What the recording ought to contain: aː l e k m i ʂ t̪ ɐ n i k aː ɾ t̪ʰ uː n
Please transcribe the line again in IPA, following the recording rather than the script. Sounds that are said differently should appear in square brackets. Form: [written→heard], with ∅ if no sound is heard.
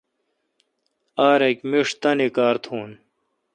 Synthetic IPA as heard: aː [l→ɾ] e k m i ʂ t̪ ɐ n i k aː ɾ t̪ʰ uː n

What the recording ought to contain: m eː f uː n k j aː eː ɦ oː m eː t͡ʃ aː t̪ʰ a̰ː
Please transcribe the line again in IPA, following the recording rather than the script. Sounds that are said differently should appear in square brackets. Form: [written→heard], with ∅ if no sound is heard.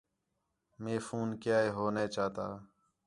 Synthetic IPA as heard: m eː f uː n k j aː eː ɦ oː [m→n] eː t͡ʃ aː [t̪ʰ→t̪] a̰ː

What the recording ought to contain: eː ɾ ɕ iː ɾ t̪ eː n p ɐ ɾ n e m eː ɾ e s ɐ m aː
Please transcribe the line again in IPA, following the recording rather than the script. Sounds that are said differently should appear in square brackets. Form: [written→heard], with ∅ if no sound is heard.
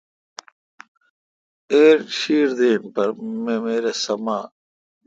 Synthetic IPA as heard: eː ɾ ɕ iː ɾ [t̪→d̪] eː n p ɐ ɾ [n→m] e m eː ɾ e s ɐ m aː

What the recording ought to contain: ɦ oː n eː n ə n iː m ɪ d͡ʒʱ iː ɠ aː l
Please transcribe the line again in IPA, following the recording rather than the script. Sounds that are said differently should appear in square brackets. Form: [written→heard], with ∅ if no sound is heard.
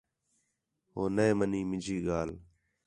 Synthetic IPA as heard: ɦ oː n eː [n→m] ə n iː m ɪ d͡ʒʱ iː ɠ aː l

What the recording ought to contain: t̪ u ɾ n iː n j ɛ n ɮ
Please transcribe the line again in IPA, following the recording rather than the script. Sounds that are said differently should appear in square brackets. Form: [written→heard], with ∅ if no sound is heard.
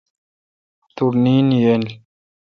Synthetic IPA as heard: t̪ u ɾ n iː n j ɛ n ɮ

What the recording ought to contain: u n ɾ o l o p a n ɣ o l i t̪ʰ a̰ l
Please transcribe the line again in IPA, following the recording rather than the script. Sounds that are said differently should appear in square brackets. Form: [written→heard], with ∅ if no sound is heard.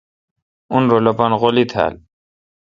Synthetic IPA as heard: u n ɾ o l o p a n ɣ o l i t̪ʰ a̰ l

